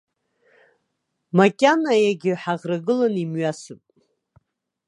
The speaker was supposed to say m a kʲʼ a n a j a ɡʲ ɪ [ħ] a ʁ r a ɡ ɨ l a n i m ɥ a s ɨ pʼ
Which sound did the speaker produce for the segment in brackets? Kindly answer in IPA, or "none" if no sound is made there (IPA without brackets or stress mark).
ħ